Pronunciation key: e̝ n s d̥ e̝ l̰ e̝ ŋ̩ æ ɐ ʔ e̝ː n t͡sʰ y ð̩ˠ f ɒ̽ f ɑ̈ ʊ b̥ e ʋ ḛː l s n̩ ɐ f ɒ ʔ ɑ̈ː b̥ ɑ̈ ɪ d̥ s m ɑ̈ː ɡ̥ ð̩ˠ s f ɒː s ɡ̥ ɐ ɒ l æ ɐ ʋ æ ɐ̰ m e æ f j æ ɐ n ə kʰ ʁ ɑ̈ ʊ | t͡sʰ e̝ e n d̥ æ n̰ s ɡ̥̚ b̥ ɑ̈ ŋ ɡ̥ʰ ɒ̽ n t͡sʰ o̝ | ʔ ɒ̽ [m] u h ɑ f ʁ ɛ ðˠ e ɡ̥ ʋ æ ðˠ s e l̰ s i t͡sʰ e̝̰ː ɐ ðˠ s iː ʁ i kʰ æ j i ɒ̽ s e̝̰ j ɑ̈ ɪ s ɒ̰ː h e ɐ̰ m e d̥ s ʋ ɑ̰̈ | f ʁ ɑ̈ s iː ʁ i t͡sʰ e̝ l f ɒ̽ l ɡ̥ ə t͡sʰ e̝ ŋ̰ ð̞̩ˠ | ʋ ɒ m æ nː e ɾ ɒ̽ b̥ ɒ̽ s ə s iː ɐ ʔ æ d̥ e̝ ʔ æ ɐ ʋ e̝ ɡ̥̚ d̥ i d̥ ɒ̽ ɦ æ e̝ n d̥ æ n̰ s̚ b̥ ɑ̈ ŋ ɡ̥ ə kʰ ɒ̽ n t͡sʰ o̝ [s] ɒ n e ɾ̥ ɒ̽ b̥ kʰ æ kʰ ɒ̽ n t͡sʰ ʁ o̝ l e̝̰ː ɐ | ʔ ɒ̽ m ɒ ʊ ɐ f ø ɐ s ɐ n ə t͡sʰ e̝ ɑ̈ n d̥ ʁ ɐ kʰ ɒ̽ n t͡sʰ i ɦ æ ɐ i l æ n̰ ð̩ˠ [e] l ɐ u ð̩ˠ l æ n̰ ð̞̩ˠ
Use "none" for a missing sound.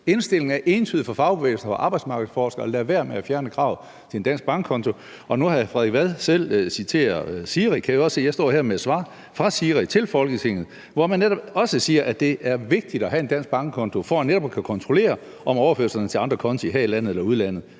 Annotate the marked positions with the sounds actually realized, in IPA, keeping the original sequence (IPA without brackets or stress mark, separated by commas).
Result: n, f, e